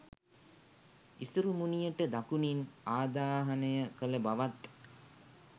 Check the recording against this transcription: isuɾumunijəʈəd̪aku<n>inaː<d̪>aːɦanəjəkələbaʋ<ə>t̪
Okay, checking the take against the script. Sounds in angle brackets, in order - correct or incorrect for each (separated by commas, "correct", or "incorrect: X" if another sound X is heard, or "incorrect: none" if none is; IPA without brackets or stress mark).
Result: correct, correct, incorrect: a